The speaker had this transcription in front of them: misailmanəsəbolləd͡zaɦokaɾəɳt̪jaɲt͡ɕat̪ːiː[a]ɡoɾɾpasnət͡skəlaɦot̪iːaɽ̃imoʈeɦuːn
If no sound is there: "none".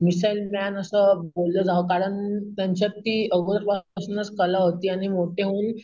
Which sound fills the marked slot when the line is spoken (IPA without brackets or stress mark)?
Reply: ə